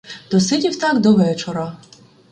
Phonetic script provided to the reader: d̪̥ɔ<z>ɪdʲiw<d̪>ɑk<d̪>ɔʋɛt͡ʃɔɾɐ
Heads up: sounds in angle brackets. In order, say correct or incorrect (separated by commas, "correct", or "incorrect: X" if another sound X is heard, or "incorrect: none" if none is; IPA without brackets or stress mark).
incorrect: s, incorrect: t̪, correct